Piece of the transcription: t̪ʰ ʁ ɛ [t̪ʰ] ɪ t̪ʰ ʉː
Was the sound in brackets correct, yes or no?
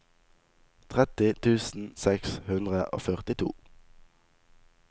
no